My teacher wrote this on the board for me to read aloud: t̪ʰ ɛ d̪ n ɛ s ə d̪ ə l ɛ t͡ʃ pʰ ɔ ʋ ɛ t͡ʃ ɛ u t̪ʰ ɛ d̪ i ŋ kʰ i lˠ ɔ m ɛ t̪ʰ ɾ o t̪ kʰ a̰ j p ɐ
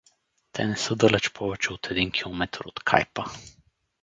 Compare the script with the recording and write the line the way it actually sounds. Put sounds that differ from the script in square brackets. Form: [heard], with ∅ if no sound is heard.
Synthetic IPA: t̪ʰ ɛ [∅] n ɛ s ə d̪ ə l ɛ t͡ʃ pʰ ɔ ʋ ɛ t͡ʃ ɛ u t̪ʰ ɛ d̪ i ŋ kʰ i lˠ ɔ m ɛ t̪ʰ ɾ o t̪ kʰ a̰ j p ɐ